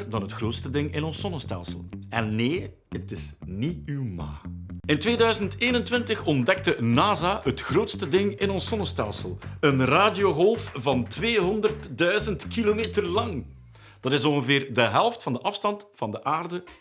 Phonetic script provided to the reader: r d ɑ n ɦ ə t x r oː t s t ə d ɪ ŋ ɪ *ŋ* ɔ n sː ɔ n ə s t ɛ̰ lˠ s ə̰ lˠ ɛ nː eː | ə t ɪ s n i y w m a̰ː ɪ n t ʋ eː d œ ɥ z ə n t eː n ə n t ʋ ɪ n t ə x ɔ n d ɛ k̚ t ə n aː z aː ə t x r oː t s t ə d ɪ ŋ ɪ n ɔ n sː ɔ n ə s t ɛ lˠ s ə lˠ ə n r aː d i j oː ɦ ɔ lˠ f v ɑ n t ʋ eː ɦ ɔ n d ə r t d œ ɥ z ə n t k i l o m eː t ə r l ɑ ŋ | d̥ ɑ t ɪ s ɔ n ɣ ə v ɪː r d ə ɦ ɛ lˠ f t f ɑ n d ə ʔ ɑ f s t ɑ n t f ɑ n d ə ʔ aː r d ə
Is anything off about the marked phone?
yes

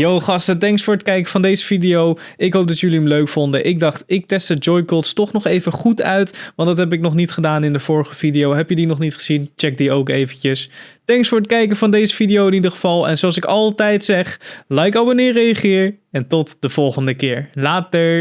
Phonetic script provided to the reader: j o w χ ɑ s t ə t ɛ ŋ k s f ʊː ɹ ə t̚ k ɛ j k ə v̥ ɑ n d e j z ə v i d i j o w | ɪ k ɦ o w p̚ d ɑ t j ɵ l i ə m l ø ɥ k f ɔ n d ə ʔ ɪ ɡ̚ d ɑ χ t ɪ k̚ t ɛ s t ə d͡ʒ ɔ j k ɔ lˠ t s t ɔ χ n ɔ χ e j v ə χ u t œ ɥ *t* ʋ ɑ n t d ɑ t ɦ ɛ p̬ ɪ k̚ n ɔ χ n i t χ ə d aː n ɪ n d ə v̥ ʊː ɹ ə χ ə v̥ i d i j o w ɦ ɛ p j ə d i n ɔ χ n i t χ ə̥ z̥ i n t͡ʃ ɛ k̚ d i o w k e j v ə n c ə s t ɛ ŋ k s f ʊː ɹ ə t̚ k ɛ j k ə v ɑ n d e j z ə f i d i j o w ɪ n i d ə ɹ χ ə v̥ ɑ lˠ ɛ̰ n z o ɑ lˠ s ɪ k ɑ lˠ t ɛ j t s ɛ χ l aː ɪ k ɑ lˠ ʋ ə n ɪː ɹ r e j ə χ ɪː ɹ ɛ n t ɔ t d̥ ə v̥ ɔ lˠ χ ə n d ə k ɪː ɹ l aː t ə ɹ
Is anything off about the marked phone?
no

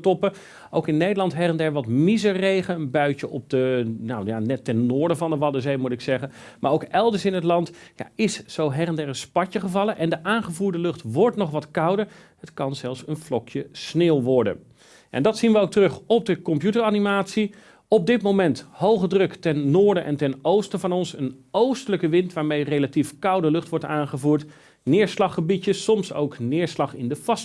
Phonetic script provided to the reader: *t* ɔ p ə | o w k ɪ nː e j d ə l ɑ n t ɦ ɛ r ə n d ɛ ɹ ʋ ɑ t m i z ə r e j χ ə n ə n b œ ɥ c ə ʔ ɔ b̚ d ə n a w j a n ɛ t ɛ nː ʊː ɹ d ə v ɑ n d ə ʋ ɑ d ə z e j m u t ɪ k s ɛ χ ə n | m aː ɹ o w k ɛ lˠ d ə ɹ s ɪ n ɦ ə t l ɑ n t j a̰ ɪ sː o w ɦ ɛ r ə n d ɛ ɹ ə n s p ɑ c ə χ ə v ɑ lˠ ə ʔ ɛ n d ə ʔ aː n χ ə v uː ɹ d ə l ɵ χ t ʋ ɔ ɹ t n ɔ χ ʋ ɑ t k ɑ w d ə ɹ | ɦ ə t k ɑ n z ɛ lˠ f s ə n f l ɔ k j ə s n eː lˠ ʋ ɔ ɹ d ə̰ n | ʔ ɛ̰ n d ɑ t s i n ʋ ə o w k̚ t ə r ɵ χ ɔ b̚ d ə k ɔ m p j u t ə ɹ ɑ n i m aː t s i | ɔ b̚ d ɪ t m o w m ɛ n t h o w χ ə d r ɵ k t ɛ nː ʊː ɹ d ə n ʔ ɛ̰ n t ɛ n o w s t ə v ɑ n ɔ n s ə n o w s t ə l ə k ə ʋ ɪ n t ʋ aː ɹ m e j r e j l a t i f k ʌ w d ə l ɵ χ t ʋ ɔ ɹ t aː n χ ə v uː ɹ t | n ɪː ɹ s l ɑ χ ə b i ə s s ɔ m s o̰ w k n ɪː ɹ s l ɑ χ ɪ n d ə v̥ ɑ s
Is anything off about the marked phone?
no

